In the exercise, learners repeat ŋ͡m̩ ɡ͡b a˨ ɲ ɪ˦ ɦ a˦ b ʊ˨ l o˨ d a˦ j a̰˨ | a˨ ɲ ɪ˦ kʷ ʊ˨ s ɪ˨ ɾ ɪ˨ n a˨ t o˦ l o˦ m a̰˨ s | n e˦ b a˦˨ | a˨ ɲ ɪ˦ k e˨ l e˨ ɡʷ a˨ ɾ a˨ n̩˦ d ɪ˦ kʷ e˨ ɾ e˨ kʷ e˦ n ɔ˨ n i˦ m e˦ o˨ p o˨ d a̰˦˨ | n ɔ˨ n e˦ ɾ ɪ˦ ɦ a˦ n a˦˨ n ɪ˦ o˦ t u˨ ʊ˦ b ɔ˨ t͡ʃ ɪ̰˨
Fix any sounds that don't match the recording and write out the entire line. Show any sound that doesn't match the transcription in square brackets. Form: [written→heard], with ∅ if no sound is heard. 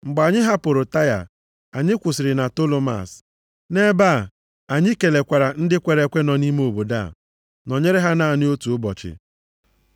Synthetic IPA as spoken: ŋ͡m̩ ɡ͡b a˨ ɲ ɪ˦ ɦ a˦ [b→p] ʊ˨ [l→ɾ] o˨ [d→t] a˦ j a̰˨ | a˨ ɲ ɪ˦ kʷ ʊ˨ s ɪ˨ ɾ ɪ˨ n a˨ t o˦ l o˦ m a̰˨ s | n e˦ b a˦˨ | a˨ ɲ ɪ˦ k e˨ l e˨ [ɡʷ→kʷ] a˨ ɾ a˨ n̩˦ d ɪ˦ kʷ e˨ ɾ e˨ kʷ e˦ n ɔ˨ n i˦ m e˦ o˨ [p→b] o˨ d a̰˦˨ | n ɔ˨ [n→ɲ] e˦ ɾ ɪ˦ ɦ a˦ n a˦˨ n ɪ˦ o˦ t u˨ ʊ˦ b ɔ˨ t͡ʃ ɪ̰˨

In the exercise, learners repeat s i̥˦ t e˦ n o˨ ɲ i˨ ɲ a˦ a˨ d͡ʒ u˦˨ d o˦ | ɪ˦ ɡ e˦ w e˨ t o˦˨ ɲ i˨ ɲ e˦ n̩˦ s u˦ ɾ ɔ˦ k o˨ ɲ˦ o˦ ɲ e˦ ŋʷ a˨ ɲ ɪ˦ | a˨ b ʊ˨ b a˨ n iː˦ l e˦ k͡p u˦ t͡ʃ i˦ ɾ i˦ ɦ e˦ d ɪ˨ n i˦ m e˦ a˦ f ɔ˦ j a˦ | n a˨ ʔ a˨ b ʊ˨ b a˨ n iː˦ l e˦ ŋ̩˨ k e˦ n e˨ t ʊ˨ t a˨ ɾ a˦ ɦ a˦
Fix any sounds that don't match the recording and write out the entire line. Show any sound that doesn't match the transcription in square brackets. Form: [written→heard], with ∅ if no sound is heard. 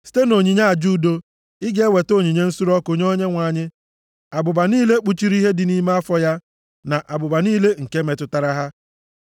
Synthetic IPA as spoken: s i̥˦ t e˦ n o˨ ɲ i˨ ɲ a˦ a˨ d͡ʒ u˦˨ d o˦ | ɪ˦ ɡ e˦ w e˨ t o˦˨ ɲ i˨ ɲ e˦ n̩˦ s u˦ ɾ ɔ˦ k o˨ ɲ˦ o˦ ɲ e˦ ŋʷ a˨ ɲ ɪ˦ | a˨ b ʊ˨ b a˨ n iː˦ l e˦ k͡p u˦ t͡ʃ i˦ ɾ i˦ ɦ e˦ d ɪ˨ n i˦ m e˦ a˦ f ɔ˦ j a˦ | n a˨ ʔ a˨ b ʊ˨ b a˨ n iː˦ l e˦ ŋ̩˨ k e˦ [n→m] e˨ t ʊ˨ t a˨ ɾ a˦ ɦ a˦

